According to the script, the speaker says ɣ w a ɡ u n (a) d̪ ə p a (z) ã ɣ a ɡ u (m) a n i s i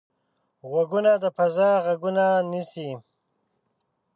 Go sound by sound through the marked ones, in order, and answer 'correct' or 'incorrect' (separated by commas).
correct, correct, incorrect